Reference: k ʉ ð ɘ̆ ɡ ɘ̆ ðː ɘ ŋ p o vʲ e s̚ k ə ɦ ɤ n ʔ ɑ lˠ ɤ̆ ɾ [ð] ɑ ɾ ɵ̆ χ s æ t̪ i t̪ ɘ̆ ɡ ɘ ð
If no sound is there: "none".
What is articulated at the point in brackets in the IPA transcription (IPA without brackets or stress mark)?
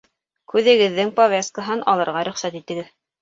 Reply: ʁ